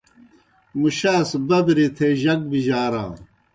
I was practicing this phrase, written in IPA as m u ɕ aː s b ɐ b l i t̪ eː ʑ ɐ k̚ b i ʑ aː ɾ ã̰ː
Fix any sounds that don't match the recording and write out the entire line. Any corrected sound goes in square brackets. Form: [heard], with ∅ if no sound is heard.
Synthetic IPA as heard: m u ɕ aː s b ɐ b [ɾ] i [t̪ʰ] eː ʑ ɐ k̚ b i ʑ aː ɾ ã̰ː